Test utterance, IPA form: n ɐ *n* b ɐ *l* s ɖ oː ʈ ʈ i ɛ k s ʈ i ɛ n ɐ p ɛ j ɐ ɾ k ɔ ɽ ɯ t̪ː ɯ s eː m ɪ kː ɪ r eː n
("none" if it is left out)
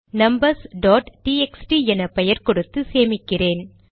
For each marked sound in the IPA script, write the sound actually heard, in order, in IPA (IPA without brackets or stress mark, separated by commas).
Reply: m, ɾ